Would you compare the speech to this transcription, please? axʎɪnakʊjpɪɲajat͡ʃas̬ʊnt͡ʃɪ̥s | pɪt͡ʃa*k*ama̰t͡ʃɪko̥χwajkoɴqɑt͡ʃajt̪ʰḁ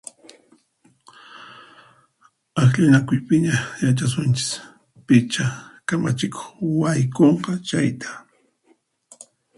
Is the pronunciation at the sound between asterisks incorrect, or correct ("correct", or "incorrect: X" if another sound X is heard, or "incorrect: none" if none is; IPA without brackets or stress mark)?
correct